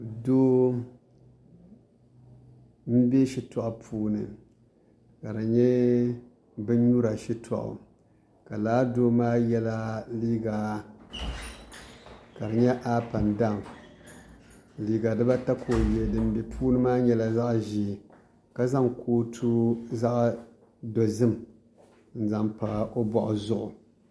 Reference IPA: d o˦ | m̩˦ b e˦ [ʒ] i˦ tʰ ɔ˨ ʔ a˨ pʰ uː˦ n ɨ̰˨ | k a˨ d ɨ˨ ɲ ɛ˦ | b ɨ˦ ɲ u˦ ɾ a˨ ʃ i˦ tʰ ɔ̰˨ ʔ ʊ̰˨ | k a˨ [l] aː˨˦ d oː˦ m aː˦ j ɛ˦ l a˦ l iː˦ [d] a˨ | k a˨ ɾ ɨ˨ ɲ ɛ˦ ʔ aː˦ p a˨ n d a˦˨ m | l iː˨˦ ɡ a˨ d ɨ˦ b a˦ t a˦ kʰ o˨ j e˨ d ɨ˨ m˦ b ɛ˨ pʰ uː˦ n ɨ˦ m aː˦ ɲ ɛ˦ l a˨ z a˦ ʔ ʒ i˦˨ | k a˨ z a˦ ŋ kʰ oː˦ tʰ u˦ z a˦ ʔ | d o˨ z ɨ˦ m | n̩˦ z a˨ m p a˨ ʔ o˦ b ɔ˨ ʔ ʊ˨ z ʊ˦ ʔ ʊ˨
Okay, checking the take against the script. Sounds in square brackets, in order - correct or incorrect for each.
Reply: incorrect: ʃ, correct, incorrect: ɡ

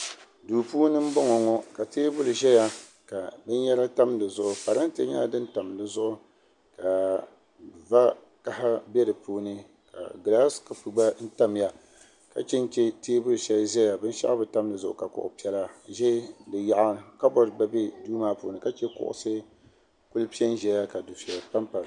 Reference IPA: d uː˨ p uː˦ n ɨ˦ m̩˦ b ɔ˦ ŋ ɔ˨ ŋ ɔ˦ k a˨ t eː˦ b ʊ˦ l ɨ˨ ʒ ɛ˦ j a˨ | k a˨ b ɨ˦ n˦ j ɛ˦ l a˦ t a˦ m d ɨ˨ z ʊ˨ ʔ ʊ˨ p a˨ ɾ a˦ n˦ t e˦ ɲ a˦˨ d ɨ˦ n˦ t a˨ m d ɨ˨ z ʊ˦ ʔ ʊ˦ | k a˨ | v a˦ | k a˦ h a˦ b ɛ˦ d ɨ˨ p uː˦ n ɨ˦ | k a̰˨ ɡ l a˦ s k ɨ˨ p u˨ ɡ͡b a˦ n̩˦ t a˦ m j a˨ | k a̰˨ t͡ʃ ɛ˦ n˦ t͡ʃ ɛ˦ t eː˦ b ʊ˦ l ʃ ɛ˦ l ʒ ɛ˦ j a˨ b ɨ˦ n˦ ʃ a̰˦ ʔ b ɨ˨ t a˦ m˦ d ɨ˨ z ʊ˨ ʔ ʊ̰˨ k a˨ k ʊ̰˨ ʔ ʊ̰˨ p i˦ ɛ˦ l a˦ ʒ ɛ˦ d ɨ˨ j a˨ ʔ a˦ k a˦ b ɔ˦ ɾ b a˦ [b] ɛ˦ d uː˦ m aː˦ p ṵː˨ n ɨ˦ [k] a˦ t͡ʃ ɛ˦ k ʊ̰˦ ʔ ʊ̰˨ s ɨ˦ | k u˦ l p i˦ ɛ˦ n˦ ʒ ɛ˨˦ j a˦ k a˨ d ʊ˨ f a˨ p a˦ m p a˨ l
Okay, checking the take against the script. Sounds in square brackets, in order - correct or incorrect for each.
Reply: correct, correct

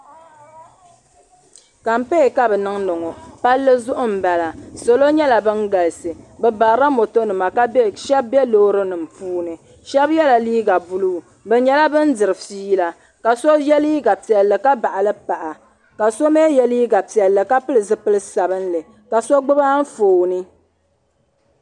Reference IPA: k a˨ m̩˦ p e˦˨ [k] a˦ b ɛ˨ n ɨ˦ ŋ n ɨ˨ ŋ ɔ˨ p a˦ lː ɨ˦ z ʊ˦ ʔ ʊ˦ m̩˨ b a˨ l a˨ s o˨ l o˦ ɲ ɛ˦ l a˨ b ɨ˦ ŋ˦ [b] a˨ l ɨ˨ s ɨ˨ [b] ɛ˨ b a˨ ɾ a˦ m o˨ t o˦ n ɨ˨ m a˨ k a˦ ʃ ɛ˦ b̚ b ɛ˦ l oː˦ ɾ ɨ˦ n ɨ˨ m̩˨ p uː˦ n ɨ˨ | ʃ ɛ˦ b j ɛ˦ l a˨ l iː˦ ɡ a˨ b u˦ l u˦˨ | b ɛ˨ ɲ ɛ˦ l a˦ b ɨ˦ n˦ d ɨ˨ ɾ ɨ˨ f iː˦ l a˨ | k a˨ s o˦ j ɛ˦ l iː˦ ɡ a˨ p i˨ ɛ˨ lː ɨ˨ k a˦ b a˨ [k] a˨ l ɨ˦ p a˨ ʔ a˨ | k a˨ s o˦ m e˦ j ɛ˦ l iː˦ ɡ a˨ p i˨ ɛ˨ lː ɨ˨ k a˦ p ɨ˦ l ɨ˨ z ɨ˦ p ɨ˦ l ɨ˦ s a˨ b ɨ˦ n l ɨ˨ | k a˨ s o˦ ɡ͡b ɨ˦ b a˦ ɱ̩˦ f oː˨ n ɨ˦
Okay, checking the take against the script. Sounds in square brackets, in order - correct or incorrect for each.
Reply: correct, incorrect: ɡ, correct, incorrect: ʔ

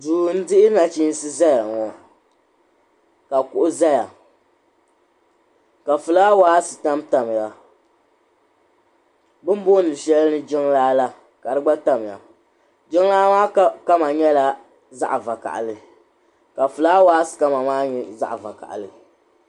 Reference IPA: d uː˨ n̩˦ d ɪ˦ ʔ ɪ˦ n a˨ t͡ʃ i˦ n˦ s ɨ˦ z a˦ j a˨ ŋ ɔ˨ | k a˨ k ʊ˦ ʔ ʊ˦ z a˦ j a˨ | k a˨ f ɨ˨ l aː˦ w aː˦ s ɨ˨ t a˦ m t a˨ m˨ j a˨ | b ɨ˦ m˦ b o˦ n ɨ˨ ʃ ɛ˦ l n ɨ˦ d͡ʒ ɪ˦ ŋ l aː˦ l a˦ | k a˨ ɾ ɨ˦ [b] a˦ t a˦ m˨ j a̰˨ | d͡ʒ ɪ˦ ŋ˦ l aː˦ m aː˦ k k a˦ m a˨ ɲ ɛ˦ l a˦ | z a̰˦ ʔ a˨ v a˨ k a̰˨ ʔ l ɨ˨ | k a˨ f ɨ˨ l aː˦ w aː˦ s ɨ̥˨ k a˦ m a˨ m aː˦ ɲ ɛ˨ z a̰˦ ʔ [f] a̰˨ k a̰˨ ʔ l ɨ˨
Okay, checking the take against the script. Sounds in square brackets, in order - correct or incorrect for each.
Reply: incorrect: ɡ͡b, incorrect: v

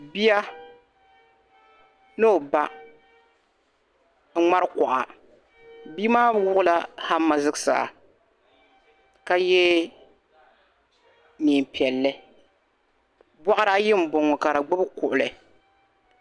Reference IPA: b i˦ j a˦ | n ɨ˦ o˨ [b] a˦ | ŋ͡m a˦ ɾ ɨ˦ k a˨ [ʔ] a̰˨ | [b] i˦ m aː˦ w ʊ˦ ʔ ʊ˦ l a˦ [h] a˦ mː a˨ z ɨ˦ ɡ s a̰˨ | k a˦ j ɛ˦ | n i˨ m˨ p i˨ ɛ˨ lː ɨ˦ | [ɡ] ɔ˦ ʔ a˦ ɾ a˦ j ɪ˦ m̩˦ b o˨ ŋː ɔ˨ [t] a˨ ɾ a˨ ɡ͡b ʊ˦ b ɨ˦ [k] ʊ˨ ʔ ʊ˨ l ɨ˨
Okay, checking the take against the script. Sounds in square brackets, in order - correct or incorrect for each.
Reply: correct, correct, correct, correct, incorrect: b, incorrect: k, correct

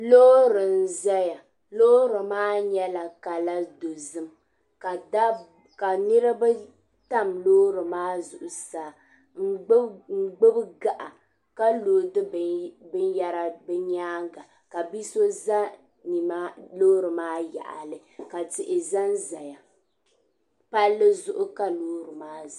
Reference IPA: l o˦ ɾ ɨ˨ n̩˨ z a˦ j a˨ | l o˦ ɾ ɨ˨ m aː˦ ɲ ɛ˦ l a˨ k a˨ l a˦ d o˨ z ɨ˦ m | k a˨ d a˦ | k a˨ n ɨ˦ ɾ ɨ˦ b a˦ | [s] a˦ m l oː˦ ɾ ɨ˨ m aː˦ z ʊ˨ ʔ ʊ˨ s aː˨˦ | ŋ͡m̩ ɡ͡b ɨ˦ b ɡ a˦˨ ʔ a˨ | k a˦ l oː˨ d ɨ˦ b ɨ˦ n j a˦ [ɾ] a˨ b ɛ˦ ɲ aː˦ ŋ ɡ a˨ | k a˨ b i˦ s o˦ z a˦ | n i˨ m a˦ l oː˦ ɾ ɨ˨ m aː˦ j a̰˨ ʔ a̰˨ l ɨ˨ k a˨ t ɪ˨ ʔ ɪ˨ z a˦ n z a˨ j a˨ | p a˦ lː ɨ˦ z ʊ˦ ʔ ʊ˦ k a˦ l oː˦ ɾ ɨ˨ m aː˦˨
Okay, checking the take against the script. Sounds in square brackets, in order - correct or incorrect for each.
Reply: incorrect: t, correct

